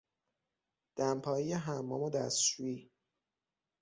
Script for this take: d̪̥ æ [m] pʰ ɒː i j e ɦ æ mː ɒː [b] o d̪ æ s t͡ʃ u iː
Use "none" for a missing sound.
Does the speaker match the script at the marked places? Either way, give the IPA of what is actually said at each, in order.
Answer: m, m

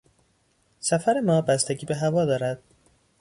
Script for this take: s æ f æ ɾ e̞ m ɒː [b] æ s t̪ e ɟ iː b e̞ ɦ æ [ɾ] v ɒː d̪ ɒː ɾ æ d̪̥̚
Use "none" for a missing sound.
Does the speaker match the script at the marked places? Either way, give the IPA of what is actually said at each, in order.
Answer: b, none

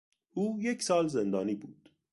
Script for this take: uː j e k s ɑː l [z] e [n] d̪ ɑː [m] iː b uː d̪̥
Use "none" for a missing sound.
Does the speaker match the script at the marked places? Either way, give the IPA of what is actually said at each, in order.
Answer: z, n, n

